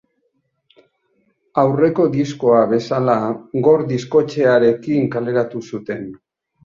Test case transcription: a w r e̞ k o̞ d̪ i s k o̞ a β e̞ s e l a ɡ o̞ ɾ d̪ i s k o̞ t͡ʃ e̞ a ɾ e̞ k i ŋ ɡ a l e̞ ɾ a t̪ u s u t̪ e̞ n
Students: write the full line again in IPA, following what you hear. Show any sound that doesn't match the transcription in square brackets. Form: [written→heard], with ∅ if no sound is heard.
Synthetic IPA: a w r e̞ k o̞ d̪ i s k o̞ a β e̞ s [e→a] l a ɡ o̞ ɾ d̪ i s k o̞ t͡ʃ e̞ a ɾ e̞ k i ŋ [ɡ→k] a l e̞ ɾ a t̪ u s u t̪ e̞ n

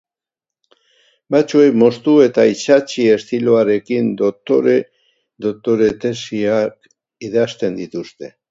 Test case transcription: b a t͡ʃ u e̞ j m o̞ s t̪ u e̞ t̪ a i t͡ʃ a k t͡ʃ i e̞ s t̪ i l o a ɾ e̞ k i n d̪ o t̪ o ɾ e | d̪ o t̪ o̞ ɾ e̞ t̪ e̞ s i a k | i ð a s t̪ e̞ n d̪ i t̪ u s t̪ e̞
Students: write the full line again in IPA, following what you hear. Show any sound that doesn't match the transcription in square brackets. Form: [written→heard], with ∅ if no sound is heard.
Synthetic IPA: b a t͡ʃ u e̞ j m o̞ s t̪ u e̞ t̪ a i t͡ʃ a [k→∅] t͡ʃ i e̞ s t̪ i l o a ɾ e̞ k i n d̪ o t̪ o ɾ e | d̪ o t̪ o̞ ɾ e̞ t̪ e̞ s i a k | i ð a s t̪ e̞ n d̪ i t̪ u s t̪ e̞

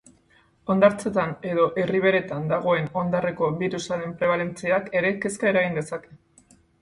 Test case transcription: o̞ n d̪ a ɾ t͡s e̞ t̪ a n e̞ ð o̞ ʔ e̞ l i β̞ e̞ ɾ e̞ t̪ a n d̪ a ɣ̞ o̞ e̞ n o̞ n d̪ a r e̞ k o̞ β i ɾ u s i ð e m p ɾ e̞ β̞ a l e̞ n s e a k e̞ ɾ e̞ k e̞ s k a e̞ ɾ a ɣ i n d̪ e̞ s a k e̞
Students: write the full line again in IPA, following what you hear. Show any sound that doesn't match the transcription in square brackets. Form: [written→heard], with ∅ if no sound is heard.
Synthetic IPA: o̞ n d̪ a ɾ t͡s e̞ t̪ a n e̞ ð o̞ ʔ e̞ [l→r] i β̞ e̞ ɾ e̞ t̪ a n d̪ a ɣ̞ o̞ e̞ n o̞ n d̪ a r e̞ k o̞ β i ɾ u s [i→a] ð e m p ɾ e̞ β̞ a l e̞ n [s→t͡s] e a k e̞ ɾ e̞ k e̞ s k a e̞ ɾ a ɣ i n d̪ e̞ s a k e̞

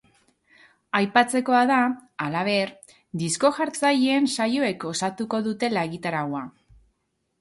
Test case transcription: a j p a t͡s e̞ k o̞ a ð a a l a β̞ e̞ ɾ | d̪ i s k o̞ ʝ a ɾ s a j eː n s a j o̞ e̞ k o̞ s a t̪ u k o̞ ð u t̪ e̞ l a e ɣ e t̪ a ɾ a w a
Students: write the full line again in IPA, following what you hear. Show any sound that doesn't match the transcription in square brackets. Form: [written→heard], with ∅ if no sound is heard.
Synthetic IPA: a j p a t͡s e̞ k o̞ a ð a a l a β̞ e̞ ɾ | d̪ i s k o̞ ʝ a ɾ [s→t͡s] a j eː n s a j o̞ e̞ k o̞ s a t̪ u k o̞ ð u t̪ e̞ l a e ɣ [e→i] t̪ a ɾ a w a

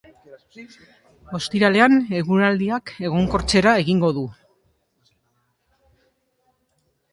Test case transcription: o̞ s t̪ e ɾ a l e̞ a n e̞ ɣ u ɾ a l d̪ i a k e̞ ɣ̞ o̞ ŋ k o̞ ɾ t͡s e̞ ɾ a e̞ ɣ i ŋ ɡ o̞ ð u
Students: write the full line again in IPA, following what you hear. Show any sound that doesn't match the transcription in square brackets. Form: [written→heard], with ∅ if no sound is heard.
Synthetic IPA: o̞ s t̪ [e→i] ɾ a l e̞ a n e̞ ɣ u ɾ a l d̪ i a k e̞ ɣ̞ o̞ ŋ k o̞ ɾ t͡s e̞ ɾ a e̞ ɣ i ŋ ɡ o̞ ð u

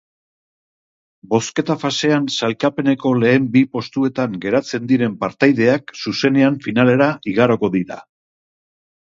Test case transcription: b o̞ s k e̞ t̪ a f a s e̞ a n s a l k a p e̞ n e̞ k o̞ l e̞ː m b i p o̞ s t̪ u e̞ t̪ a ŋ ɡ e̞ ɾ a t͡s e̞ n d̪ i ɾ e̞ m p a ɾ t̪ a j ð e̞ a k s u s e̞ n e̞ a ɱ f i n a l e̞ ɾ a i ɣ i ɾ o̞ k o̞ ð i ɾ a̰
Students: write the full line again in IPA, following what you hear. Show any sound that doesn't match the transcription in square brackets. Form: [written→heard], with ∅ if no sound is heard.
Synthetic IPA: b o̞ s k e̞ t̪ a f a s e̞ a n s a l k a p e̞ n e̞ k o̞ l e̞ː m b i p o̞ s t̪ u e̞ t̪ a ŋ ɡ e̞ ɾ a t͡s e̞ n d̪ i ɾ e̞ m p a ɾ t̪ a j ð e̞ a k s u s e̞ n e̞ a ɱ f i n a l e̞ ɾ a i ɣ [i→a] ɾ o̞ k o̞ ð i ɾ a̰

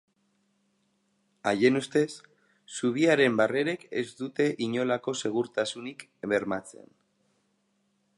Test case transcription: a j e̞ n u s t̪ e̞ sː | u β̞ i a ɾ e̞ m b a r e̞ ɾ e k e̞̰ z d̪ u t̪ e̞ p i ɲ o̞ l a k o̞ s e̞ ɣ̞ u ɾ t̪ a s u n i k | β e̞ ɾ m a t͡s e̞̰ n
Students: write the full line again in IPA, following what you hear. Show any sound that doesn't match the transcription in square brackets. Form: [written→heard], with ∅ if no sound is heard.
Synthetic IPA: a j e̞ n u s t̪ e̞ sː | u β̞ i a ɾ e̞ m b a r e̞ ɾ e k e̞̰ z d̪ u t̪ e̞ [p→ʔ] i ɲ o̞ l a k o̞ s e̞ ɣ̞ u ɾ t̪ a s u n i k | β e̞ ɾ m a t͡s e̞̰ n

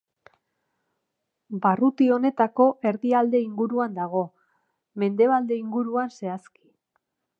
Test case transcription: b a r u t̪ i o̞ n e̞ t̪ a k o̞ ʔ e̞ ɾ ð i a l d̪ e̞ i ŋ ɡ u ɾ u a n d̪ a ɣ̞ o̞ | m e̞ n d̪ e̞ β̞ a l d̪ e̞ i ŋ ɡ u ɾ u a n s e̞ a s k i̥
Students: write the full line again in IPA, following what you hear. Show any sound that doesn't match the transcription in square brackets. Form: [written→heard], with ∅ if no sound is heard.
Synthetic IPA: b a r u t̪ i o̞ n e̞ t̪ a k o̞ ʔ e̞ ɾ ð i a l d̪ e̞ i ŋ ɡ u ɾ u a n d̪ a ɣ̞ o̞ | m e̞ n d̪ e̞ β̞ a l d̪ e̞ i ŋ ɡ u ɾ u a n s e̞ a s k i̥

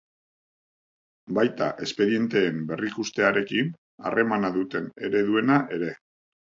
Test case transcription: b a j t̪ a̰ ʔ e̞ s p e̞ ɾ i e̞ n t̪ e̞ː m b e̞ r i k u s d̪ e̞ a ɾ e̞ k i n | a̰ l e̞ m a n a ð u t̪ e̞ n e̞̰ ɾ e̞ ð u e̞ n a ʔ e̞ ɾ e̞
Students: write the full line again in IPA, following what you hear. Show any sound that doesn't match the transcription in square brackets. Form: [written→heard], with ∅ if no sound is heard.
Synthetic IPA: b a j t̪ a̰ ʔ e̞ s p e̞ ɾ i e̞ n t̪ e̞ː m b e̞ r i k u s [d̪→t̪] e̞ a ɾ e̞ k i n | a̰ [l→r] e̞ m a n a ð u t̪ e̞ n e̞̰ ɾ e̞ ð u e̞ n a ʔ e̞ ɾ e̞

